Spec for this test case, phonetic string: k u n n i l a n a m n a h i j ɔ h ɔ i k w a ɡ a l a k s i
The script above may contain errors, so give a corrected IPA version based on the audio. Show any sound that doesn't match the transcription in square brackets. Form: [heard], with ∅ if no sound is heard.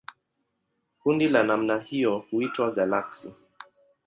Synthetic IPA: k u n [d] i l a n a m n a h i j ɔ h [u] i [t] w a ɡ a l a k s i